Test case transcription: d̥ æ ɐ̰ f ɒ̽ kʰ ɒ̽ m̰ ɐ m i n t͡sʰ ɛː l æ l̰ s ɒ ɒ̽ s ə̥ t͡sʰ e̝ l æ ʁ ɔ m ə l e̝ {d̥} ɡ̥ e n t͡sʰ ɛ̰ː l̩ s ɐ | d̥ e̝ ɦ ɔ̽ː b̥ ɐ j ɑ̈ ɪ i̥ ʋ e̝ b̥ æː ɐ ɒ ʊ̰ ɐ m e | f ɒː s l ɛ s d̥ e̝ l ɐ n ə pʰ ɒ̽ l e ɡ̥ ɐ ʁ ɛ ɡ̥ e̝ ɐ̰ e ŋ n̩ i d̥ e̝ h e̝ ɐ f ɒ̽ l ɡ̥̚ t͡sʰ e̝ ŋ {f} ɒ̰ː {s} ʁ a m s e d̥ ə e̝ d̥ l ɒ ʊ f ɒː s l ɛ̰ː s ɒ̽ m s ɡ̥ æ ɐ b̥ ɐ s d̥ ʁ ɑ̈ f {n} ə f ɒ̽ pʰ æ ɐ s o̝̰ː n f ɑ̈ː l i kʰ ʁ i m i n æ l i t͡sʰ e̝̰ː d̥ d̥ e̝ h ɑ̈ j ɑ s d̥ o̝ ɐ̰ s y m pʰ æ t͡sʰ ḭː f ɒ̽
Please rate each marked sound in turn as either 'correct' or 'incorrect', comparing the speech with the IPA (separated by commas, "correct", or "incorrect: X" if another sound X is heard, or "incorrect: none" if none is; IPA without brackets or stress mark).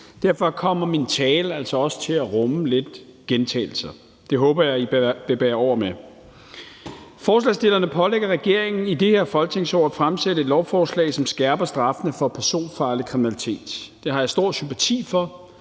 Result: correct, incorrect: s, incorrect: f, correct